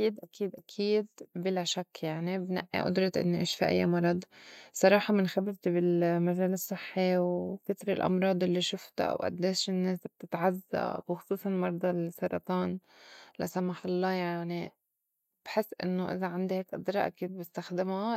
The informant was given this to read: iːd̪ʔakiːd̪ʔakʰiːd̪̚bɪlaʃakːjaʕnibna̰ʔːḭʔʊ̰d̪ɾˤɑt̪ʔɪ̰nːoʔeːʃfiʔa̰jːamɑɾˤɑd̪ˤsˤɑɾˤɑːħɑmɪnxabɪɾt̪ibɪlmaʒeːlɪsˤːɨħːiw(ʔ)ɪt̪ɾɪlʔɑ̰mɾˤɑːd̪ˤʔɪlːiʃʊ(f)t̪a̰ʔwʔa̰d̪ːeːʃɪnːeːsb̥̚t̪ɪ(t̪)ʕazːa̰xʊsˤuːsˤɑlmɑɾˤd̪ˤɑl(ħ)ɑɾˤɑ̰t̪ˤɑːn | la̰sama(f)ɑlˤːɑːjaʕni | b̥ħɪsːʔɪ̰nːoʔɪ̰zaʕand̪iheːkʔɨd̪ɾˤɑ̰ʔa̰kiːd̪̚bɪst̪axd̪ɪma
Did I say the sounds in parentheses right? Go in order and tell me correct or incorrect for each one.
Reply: incorrect, correct, correct, incorrect, incorrect

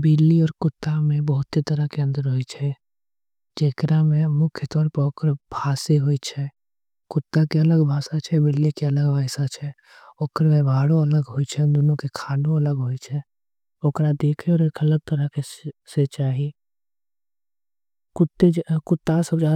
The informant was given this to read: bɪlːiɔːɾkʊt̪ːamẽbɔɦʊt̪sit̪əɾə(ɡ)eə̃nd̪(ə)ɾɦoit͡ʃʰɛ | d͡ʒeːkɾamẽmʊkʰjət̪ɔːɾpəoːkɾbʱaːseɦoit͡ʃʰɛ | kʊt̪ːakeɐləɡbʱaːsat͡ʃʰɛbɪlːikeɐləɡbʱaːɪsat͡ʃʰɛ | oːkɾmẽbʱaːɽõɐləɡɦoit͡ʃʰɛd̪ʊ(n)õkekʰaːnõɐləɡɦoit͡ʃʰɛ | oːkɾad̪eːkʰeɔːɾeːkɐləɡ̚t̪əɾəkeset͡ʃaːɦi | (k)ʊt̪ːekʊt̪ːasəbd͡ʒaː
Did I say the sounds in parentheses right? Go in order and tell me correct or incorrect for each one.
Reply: incorrect, correct, correct, correct

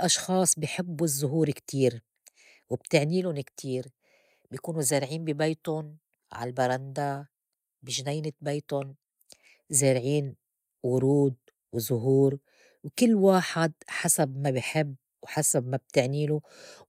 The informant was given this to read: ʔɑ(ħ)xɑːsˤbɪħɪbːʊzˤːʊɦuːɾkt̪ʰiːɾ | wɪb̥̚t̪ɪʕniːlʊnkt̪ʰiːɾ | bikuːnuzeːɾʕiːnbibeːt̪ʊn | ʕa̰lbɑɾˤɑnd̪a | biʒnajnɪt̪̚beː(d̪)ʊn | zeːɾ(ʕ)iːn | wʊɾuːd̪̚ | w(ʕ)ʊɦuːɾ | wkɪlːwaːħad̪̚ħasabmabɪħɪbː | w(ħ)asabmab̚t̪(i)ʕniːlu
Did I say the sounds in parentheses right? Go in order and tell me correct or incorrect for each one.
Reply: incorrect, incorrect, correct, incorrect, correct, incorrect

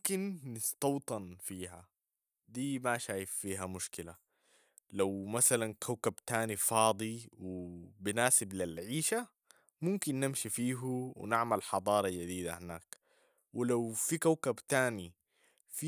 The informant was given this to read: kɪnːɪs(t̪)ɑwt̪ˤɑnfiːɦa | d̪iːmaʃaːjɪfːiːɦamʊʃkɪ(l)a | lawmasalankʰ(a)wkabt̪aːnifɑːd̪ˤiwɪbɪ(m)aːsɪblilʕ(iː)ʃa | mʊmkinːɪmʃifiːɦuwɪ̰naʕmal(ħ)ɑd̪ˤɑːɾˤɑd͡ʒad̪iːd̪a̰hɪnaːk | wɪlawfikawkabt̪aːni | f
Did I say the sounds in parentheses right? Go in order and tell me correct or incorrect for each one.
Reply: correct, correct, correct, incorrect, correct, correct

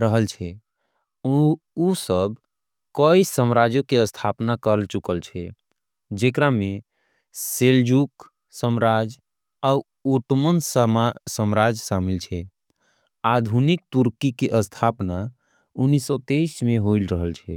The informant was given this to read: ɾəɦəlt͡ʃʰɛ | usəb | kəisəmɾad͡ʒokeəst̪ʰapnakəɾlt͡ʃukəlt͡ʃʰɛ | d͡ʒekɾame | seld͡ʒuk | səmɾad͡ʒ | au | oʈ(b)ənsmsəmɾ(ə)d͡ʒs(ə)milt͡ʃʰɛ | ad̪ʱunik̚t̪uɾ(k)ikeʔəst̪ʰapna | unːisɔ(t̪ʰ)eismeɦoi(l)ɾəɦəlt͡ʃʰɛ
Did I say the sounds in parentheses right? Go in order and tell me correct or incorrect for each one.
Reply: incorrect, incorrect, incorrect, correct, incorrect, correct

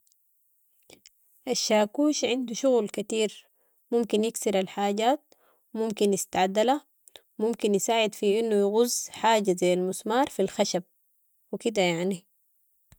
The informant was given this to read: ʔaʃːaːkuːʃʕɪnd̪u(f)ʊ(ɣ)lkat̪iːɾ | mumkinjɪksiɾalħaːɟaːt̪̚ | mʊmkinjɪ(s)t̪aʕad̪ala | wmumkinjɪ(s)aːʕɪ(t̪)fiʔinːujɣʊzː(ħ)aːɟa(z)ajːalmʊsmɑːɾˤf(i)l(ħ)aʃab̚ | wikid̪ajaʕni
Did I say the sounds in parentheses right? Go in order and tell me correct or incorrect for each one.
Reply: incorrect, correct, correct, correct, incorrect, correct, correct, correct, incorrect

